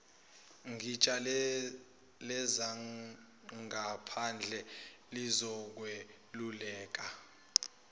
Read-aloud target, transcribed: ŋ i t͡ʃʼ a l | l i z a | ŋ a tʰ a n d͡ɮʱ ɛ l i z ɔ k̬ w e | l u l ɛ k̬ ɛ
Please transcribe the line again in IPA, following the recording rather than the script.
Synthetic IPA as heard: ŋ i t͡ʃʼ a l | l ɛ z a | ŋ a pʰ a n d͡ɮʱ ɛ l i z ɔ k̬ w e | l u l ɛː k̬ a